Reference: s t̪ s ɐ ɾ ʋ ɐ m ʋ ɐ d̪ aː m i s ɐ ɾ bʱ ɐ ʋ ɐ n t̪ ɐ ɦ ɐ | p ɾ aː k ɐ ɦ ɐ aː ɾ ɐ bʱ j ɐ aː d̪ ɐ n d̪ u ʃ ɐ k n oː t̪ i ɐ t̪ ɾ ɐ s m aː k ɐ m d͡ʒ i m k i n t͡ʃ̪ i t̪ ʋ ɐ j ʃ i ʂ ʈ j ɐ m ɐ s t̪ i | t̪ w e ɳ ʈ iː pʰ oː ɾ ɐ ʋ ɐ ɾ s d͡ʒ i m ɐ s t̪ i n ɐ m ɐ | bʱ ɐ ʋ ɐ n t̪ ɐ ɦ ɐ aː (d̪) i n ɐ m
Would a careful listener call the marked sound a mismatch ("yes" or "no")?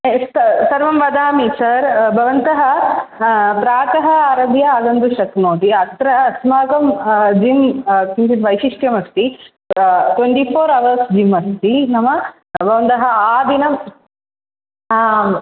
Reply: no